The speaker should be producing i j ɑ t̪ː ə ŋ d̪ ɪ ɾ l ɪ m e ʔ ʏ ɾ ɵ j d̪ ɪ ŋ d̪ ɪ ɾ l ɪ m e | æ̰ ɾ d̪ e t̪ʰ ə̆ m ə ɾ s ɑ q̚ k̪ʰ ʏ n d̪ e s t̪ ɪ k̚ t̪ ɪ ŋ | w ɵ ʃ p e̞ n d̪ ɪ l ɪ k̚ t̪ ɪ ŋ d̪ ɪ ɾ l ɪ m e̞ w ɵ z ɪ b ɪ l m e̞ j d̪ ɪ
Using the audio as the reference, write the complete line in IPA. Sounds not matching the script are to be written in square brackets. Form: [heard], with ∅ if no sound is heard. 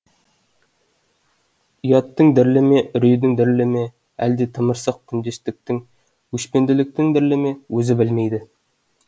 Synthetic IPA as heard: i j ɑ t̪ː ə ŋ d̪ ɪ ɾ l ɪ m e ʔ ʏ ɾ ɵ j d̪ ɪ ŋ d̪ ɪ ɾ l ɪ m e | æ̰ [l] d̪ e t̪ʰ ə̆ m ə ɾ s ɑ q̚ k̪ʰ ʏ n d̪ e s t̪ ɪ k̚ t̪ ɪ ŋ | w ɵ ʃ p e̞ n d̪ ɪ l ɪ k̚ t̪ ɪ ŋ d̪ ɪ ɾ l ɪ m e̞ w ɵ z ɪ b ɪ l m e̞ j d̪ ɪ